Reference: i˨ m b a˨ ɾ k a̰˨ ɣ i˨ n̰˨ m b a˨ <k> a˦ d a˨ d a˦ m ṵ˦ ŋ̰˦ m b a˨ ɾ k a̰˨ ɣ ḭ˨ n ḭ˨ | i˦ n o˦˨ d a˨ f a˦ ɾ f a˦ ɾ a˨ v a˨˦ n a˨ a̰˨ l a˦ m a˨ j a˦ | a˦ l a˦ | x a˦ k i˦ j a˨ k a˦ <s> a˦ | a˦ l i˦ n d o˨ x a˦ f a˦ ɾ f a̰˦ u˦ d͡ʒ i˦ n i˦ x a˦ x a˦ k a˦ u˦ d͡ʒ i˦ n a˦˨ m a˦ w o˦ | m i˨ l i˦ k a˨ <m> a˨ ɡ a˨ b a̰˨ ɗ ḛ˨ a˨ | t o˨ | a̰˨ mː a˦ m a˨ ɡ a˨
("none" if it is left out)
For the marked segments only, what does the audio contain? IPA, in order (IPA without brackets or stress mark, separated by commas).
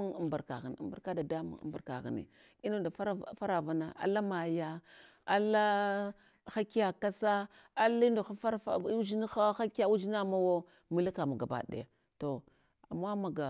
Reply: k, s, m